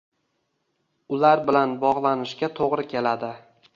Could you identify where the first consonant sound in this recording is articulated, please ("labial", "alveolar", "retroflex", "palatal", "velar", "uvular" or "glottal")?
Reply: alveolar